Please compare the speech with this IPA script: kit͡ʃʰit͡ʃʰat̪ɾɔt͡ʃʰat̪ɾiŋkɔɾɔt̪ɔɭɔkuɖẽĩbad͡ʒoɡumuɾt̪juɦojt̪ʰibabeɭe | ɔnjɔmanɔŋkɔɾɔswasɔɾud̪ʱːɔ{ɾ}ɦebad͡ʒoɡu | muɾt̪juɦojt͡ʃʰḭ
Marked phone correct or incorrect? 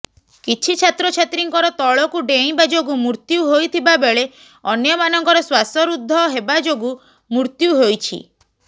incorrect